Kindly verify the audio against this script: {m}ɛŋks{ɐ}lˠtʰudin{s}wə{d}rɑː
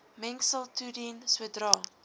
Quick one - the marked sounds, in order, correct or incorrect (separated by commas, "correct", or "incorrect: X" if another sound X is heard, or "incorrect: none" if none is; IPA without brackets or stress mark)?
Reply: correct, incorrect: ə, correct, correct